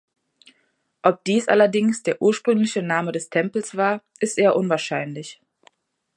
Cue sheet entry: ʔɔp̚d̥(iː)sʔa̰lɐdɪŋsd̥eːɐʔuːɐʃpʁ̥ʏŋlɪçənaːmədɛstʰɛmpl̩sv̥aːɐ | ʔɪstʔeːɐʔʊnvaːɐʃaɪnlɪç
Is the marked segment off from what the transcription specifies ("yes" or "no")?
no